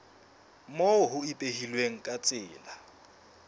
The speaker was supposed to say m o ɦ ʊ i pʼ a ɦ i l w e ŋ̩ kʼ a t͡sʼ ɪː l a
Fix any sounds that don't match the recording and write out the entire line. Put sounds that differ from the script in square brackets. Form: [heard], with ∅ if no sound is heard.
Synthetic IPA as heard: m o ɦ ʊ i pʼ [e] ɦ i l w e ŋ̩ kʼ a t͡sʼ ɪː l a